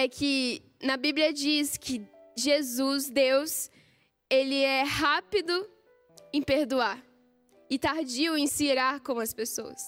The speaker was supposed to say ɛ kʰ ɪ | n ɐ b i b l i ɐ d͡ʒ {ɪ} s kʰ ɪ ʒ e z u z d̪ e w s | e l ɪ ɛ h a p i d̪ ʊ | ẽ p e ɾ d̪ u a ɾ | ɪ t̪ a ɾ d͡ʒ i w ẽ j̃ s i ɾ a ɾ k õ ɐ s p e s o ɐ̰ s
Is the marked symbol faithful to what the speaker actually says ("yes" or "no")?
no